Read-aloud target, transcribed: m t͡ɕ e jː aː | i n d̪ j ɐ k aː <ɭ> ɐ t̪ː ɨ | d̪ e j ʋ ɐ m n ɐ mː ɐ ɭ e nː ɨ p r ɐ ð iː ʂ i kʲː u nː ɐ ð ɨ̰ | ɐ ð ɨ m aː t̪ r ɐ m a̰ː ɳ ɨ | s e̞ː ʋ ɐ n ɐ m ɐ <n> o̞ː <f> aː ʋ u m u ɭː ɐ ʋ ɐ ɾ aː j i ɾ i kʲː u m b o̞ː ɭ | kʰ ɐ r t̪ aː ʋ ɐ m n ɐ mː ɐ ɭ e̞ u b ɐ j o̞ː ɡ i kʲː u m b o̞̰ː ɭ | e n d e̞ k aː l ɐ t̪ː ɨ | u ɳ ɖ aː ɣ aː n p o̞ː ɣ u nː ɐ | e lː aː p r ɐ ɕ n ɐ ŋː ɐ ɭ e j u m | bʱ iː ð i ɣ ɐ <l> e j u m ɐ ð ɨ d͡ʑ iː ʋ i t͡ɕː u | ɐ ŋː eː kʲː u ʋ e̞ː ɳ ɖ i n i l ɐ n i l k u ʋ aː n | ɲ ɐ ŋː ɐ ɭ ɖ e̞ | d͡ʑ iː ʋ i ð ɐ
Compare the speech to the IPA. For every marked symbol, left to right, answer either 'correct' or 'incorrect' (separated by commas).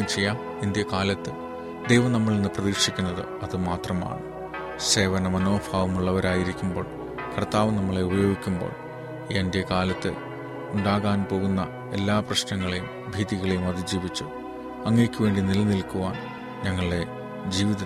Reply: incorrect, correct, correct, incorrect